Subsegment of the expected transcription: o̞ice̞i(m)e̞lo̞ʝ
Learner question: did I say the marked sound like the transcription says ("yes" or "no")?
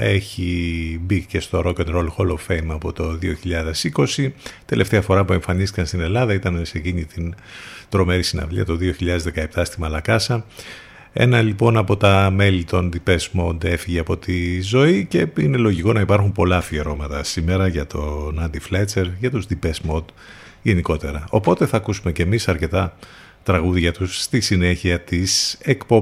no